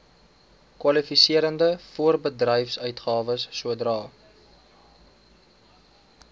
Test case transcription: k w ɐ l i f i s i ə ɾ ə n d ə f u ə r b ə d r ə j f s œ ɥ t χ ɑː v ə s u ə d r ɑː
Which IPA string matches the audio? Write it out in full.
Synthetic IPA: k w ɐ l i f i s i ə ɾ ə n d ə f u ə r b ə d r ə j f s œ ɥ t χ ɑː v ə sː u ə d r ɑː